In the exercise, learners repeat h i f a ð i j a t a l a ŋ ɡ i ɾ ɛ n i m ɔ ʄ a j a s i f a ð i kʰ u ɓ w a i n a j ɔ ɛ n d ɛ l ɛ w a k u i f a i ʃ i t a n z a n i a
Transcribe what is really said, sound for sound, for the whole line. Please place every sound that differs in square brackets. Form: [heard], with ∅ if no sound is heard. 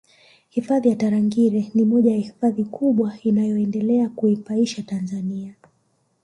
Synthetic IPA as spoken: h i f a ð i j a t a [ɾ] a ŋ ɡ i ɾ ɛ n i m ɔ ʄ a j a [h] i f a ð i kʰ u ɓ w a i n a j ɔ ɛ n d ɛ l ɛ [∅] a k u i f a i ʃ [a] t a n z a n i a